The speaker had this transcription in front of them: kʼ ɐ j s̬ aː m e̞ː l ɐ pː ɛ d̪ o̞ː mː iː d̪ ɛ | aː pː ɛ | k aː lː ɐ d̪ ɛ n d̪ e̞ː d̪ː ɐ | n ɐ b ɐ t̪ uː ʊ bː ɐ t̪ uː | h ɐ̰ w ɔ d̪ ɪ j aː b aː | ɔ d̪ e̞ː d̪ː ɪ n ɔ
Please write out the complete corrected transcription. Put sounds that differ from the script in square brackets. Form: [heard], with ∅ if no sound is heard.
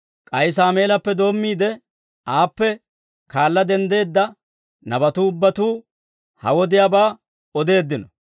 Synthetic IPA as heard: kʼ ɐ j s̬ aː m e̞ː l ɐ pː ɛ d̪ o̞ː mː iː d̪ ɛ | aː pː ɛ | k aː lː ɐ d̪ ɛ n d̪ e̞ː d̪ː ɐ | n ɐ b ɐ t̪ uː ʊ bː ɐ t̪ uː | h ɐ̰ w ɔ d̪ ɪ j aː b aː | ɔ d̪ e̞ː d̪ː ɪ n ɔ